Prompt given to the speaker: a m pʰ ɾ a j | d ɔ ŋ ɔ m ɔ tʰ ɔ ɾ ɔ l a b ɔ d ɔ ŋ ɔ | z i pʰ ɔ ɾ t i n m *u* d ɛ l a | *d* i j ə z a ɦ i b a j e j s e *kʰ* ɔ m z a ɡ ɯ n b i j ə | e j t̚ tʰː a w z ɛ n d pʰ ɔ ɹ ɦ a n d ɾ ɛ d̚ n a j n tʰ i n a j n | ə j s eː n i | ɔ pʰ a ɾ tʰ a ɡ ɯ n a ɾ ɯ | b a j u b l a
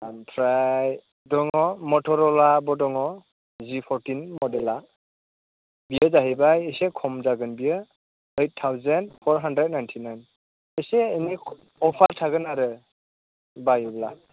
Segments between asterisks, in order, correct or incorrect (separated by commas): incorrect, incorrect, correct